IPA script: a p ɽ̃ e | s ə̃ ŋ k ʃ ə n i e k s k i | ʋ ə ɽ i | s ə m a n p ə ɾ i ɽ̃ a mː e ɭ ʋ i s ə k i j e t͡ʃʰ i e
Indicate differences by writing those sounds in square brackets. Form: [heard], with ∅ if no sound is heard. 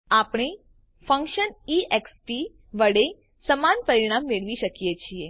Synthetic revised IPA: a p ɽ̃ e | [f] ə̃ ŋ k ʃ ə n i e k s [p] i | ʋ ə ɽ [e] | s ə m a n p ə ɾ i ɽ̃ a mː e ɭ ʋ i [ʃ] ə k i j e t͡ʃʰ i e